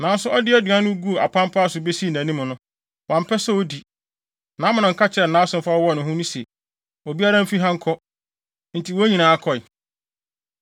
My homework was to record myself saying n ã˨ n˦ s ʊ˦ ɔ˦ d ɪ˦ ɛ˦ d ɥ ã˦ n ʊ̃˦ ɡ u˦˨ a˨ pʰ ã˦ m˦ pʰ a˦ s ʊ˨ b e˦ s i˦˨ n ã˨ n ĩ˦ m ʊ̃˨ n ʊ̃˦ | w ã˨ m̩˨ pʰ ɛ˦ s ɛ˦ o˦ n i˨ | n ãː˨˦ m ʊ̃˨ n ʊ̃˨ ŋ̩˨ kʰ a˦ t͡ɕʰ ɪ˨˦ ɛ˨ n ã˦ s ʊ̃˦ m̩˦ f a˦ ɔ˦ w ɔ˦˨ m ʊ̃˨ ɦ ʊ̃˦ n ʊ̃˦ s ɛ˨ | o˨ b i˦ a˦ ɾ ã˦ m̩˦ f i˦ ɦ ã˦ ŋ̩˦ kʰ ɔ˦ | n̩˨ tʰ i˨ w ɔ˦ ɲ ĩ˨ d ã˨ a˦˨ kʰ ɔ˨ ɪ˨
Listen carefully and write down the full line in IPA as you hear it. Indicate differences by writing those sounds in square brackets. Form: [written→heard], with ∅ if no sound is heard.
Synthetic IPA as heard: n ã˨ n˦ s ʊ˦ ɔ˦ d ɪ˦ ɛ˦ d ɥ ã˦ n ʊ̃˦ ɡ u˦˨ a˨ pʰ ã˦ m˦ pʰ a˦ s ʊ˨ b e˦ s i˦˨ n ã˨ n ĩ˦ m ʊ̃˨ n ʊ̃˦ | w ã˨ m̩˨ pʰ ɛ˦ s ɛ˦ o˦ [n→d] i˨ | n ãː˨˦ m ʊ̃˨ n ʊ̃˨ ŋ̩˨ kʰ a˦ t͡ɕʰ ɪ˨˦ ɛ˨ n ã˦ s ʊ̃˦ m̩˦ f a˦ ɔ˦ w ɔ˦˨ [m→n] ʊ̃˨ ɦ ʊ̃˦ n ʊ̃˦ s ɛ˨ | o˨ b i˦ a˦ ɾ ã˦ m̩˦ f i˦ ɦ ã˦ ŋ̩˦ kʰ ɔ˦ | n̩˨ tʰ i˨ w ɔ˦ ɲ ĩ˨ [d→n] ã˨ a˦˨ kʰ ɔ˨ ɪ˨